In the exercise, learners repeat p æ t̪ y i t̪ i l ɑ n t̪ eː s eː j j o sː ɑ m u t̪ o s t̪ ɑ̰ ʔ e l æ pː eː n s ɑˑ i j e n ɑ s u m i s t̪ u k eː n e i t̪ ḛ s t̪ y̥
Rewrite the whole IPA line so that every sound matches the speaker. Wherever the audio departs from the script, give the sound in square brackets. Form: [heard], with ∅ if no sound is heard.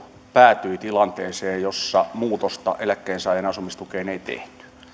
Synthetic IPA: p [æː] t̪ y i t̪ i l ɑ n t̪ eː s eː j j o sː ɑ m [uː] t̪ o s t̪ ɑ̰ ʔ e l æ [kː] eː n s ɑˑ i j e n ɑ s u m i s t̪ u k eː n e i t̪ ḛ [h] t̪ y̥